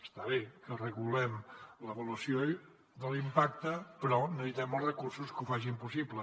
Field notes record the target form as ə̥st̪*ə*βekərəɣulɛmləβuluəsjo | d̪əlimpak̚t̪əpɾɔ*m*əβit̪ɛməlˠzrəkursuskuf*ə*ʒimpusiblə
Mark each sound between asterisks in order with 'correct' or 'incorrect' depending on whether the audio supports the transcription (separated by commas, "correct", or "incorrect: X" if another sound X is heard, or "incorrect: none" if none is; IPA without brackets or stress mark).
incorrect: a, incorrect: n, incorrect: a